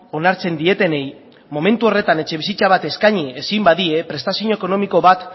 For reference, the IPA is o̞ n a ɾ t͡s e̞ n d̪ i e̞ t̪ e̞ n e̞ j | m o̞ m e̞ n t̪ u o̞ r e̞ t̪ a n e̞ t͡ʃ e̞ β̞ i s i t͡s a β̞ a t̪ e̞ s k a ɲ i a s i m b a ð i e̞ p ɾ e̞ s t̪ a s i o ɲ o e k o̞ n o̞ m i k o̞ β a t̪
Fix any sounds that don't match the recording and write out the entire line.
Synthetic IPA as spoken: o̞ n a ɾ t͡s e̞ n d̪ i e̞ t̪ e̞ n e̞ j | m o̞ m e̞ n t̪ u o̞ r e̞ t̪ a n e̞ t͡ʃ e̞ β̞ i s i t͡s a β̞ a t̪ e̞ s k a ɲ i e s i m b a ð i e̞ p ɾ e̞ s t̪ a s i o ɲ o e k o̞ n o̞ m i k o̞ β a t̪